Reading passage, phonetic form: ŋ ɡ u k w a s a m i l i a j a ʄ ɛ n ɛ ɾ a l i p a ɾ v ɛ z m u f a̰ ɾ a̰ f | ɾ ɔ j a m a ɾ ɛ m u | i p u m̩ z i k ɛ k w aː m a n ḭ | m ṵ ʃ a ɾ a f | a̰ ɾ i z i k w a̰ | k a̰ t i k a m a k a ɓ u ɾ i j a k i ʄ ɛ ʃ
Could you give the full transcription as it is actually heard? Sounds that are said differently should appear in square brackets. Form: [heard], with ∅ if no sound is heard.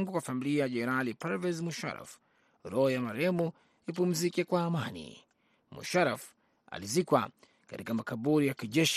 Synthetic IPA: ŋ ɡ u k w a [f] a m i l i a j a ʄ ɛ n ɛ ɾ a l i p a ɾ v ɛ z m u [ʃ] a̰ ɾ a̰ f | ɾ ɔ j a m a ɾ ɛ m u | i p u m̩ z i k ɛ k w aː m a n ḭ | m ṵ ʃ a ɾ a f | a̰ [l] i z i k w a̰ | k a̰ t i k a m a k a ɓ u ɾ i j a k i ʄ ɛ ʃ